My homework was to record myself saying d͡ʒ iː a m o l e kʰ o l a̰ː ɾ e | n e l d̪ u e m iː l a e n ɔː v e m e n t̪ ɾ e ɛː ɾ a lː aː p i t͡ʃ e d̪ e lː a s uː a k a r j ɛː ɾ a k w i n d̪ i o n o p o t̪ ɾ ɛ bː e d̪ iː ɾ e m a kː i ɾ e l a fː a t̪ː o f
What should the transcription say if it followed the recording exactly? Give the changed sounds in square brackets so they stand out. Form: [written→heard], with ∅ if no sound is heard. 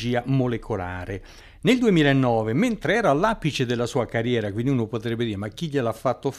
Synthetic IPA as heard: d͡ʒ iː a m o l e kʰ o l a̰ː ɾ e | n e l d̪ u e m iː l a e [n→nː] ɔː v e m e n t̪ ɾ e ɛː ɾ a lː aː p i t͡ʃ e d̪ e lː a s uː a k a r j ɛː ɾ a k w i n d̪ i [o→u] n o p o t̪ ɾ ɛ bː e d̪ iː ɾ e m a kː i [ɾ→ʎ] e l a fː a t̪ː o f